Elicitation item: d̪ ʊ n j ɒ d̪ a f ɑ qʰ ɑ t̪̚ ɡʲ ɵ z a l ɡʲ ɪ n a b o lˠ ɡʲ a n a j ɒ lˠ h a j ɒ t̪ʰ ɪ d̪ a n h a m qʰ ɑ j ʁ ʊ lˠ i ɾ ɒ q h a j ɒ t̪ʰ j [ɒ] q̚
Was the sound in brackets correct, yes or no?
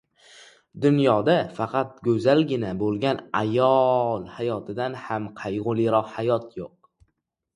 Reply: no